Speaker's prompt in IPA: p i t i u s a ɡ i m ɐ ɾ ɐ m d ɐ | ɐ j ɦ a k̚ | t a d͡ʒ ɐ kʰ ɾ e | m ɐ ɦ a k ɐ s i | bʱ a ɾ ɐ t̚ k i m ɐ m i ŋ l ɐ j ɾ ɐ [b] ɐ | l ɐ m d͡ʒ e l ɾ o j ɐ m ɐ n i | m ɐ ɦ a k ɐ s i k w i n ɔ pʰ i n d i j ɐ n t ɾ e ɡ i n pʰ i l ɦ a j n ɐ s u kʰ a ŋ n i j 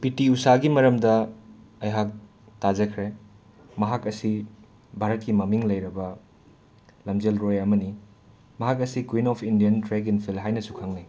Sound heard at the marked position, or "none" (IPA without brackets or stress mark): b